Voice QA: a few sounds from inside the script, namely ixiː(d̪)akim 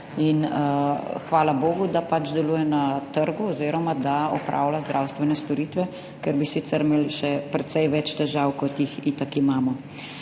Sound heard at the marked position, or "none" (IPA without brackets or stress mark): t̪